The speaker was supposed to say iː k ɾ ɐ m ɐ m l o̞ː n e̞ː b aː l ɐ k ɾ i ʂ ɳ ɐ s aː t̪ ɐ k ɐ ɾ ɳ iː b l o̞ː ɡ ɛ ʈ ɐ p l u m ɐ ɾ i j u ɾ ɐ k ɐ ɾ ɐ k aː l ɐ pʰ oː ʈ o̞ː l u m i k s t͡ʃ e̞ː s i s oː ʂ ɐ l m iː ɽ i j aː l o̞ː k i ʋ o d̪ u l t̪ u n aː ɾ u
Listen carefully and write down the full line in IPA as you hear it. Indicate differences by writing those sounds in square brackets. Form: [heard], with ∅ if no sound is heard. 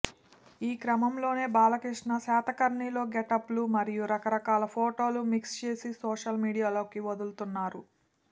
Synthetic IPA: iː k ɾ ɐ m ɐ m l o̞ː n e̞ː b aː l ɐ k ɾ i ʂ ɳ ɐ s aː t̪ ɐ k ɐ ɾ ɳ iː [∅] l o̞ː ɡ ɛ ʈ ɐ p l u m ɐ ɾ i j u ɾ ɐ k ɐ ɾ ɐ k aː l ɐ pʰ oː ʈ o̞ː l u m i k s t͡ʃ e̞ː s i s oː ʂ ɐ l m iː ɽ i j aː l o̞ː k i ʋ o d̪ u l t̪ u [nː] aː ɾ u